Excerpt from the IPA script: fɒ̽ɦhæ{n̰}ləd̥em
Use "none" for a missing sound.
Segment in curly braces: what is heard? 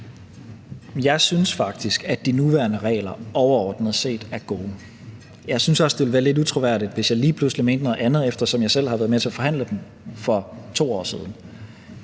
n̰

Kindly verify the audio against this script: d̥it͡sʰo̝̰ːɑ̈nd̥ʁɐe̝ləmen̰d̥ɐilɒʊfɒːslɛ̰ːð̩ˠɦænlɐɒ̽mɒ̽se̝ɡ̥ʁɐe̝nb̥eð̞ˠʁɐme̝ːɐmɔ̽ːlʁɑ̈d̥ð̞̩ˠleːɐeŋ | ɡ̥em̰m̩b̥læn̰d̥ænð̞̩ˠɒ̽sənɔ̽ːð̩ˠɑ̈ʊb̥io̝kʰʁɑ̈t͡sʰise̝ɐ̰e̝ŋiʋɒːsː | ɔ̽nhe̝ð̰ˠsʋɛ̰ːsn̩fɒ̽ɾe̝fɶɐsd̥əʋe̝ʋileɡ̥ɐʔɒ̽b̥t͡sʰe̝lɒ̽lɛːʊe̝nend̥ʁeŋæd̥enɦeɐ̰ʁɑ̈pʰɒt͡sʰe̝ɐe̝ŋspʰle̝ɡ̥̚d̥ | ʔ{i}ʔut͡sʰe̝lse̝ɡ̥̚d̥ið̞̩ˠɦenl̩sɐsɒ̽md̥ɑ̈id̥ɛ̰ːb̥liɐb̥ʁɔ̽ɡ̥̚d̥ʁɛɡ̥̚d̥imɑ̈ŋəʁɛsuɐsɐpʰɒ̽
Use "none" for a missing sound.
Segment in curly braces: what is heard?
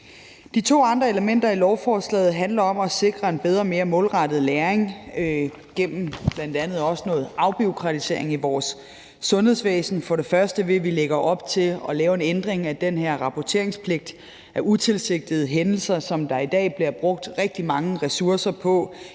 æ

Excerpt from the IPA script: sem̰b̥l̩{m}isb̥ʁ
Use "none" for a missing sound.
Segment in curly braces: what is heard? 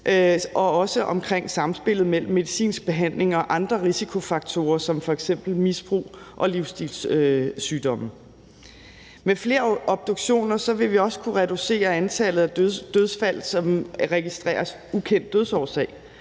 m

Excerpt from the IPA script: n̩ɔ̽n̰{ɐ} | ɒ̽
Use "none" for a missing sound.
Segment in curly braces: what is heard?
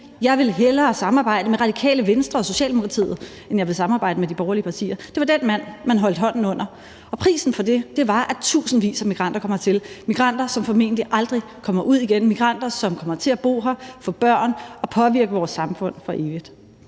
ɐ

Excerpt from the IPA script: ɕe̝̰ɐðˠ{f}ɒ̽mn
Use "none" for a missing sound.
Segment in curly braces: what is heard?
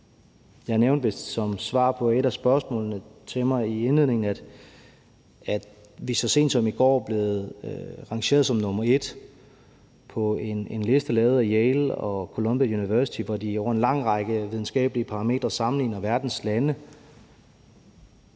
s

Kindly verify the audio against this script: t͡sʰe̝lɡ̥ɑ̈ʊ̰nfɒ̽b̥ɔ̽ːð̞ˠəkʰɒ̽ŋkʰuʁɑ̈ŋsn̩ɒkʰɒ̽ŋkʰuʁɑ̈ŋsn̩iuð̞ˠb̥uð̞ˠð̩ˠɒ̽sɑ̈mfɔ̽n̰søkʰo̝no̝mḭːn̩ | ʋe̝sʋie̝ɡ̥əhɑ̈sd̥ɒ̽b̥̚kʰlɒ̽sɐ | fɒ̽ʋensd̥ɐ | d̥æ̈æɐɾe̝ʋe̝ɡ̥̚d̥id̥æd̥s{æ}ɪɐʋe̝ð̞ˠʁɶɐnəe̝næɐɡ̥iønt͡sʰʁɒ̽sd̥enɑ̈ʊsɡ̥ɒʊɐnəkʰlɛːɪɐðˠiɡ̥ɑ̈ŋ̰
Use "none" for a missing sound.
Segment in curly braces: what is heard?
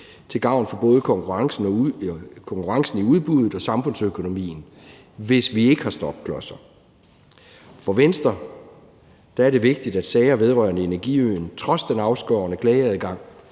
ɛ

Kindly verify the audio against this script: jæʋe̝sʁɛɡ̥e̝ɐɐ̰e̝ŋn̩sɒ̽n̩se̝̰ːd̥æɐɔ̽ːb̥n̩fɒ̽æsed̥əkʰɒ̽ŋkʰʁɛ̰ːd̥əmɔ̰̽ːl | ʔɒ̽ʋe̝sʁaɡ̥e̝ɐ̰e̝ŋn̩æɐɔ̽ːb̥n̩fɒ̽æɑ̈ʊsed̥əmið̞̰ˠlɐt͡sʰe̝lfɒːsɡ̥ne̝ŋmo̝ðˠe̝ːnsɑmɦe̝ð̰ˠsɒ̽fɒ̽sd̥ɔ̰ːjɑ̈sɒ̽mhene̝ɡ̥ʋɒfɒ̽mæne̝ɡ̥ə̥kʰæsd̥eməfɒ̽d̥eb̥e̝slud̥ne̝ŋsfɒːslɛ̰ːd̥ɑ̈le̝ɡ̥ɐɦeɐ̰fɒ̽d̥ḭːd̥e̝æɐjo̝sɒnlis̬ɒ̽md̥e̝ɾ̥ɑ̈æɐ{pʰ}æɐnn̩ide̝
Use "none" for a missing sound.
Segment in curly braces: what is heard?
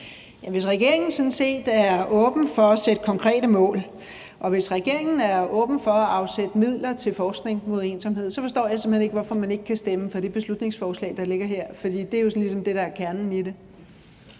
kʰ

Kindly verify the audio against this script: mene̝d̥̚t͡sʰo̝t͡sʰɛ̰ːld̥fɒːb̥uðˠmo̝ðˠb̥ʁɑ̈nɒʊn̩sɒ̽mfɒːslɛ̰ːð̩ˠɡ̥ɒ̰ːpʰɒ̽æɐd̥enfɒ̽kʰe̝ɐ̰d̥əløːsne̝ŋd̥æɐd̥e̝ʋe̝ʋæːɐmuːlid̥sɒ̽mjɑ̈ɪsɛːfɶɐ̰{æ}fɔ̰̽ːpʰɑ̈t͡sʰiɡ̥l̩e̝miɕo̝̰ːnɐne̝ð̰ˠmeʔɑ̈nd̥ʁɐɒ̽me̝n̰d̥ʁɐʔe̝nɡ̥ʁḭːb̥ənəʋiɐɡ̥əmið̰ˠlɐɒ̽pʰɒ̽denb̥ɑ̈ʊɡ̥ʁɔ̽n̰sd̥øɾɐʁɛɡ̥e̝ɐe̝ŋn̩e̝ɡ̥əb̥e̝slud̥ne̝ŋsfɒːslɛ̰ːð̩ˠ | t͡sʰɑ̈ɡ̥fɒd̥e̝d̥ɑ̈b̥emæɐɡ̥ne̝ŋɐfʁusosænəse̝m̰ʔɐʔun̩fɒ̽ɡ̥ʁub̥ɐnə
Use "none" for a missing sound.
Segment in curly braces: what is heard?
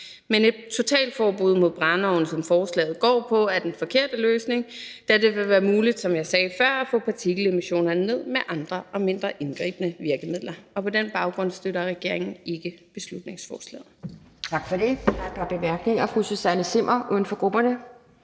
æ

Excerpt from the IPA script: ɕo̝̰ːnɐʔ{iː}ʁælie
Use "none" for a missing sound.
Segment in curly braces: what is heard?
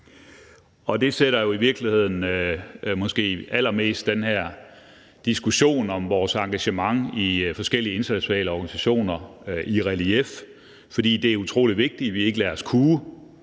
i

